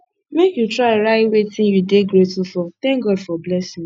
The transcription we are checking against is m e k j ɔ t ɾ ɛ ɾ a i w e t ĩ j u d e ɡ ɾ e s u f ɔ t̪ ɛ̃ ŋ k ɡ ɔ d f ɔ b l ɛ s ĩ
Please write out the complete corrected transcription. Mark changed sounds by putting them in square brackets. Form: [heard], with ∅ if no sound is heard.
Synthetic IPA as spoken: m e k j [u] t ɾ [a] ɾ a i w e t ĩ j u d e ɡ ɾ e [t] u f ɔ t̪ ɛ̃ ŋ k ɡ ɔ d f ɔ b l ɛ s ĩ